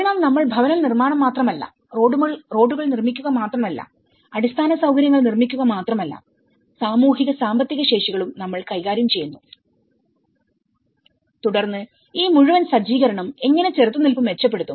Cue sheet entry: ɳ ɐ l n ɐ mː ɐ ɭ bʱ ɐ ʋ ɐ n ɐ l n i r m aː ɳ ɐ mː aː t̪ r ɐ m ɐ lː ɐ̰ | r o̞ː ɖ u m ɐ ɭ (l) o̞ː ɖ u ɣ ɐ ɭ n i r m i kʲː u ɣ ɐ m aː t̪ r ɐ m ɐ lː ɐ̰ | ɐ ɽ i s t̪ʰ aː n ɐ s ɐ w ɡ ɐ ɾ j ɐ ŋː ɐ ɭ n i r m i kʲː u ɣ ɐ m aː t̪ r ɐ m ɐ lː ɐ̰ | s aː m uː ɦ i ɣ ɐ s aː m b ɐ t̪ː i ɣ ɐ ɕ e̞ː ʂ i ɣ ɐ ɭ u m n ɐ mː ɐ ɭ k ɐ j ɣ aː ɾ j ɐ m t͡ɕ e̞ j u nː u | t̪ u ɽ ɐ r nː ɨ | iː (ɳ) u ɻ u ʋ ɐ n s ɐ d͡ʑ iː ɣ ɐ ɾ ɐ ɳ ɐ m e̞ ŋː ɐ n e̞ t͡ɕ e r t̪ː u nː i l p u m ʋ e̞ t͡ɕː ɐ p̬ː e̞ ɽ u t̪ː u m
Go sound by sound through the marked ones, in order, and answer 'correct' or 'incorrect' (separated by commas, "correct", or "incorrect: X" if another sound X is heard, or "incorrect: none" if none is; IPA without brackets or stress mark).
incorrect: r, incorrect: m